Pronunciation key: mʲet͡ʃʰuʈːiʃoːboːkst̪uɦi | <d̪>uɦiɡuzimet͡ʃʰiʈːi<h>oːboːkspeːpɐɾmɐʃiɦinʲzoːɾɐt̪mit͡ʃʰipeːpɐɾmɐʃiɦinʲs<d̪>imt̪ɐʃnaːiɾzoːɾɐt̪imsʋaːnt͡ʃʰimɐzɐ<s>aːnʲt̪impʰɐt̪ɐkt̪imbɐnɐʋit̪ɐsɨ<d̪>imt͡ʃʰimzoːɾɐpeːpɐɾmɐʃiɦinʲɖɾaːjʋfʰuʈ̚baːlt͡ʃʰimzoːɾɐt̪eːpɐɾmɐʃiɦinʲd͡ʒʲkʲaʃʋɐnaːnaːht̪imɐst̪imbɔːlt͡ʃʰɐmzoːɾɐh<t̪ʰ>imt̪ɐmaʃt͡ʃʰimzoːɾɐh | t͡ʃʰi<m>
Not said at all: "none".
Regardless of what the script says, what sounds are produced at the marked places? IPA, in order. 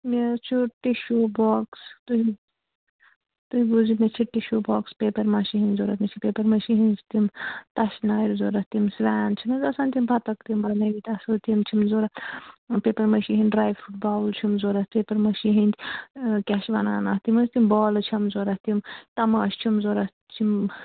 t̪, ʃ, t̪, s, t̪, t̪, m

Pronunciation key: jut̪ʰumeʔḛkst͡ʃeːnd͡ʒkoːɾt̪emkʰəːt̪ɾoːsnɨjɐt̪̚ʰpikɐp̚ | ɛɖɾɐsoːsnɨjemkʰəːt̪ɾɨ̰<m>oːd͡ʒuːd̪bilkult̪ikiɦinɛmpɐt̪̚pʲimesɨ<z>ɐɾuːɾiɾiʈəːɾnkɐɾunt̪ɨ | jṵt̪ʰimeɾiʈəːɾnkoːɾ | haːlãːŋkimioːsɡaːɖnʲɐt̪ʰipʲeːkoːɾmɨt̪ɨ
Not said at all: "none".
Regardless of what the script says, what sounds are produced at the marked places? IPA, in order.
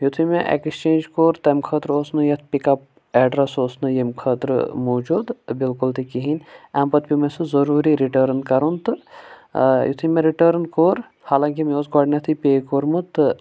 m, z

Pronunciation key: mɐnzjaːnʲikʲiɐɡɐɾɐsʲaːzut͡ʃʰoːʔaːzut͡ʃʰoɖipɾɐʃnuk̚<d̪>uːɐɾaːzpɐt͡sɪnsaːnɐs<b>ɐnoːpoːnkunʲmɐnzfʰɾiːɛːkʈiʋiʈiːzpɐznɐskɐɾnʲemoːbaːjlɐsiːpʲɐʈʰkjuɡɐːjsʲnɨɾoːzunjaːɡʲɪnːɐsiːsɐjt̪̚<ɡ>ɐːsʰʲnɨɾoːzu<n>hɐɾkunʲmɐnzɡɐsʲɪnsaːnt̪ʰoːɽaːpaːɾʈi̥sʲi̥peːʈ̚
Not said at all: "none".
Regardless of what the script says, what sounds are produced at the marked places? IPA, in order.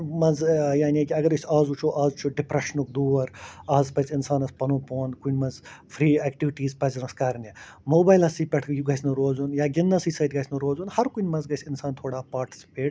d̪, p, ɡ, n

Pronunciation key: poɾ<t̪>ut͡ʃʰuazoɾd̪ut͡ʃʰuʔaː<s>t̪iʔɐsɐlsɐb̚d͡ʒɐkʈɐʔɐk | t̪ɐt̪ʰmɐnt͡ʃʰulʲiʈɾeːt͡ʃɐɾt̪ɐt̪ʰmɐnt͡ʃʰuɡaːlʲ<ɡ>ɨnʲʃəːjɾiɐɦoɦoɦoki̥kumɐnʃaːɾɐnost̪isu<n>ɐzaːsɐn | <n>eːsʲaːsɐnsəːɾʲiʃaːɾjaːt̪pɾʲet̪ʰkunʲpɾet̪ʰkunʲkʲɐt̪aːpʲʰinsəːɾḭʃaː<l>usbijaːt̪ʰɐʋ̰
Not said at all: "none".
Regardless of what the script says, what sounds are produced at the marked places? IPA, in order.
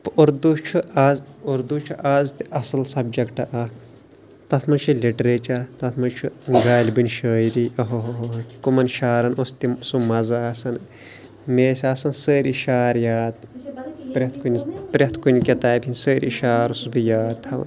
d̪, z, b, m, m, ɾ

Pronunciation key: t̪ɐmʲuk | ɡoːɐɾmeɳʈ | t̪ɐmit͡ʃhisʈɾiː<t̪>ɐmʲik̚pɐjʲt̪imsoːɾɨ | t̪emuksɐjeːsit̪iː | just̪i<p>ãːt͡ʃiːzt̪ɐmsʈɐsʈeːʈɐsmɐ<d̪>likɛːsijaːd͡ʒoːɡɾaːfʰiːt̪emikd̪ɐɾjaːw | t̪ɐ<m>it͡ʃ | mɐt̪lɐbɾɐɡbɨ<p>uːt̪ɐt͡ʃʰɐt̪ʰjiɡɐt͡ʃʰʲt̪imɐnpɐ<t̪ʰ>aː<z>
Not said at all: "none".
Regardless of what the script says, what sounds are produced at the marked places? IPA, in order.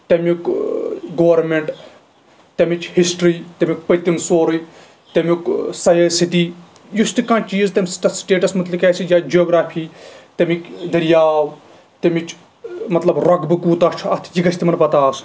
t̪, k, t̪, m, k, t̪, s

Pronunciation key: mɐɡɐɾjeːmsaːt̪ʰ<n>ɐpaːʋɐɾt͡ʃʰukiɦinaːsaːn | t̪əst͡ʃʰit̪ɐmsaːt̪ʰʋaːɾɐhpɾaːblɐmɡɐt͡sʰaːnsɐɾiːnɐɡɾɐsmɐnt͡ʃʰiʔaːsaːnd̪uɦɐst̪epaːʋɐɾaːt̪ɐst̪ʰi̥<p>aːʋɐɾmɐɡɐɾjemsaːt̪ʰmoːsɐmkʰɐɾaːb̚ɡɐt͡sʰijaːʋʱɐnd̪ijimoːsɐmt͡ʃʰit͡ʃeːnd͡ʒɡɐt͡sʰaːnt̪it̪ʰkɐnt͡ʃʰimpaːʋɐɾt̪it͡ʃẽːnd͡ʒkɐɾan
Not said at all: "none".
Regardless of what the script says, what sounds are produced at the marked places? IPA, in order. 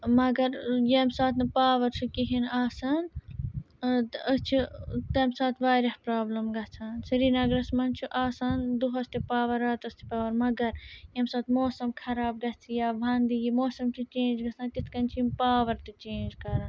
n, p

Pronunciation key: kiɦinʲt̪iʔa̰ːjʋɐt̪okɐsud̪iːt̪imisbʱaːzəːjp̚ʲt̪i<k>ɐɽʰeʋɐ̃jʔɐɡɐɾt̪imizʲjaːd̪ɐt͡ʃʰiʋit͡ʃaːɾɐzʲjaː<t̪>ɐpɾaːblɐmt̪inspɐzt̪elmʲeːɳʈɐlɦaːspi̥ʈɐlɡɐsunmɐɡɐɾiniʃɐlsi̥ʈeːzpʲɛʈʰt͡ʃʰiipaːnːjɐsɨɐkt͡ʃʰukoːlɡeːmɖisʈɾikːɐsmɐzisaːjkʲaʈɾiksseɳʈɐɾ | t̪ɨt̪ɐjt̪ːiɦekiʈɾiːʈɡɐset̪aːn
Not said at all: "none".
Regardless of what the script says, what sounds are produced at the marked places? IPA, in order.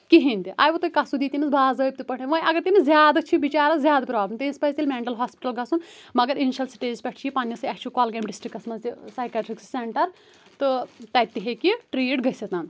p, d̪

